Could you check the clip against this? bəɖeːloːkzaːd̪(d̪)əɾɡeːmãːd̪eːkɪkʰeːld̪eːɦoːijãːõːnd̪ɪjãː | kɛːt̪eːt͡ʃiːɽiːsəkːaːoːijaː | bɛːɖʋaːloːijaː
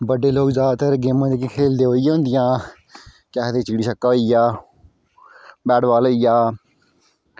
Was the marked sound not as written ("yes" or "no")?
yes